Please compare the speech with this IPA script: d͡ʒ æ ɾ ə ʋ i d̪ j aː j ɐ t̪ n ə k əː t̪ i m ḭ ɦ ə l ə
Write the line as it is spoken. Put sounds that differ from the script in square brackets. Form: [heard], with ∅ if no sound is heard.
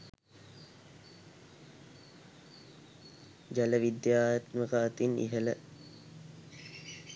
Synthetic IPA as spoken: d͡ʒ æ [l] ə ʋ i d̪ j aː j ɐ t̪ [m] ə k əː t̪ i [n] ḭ ɦ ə l ə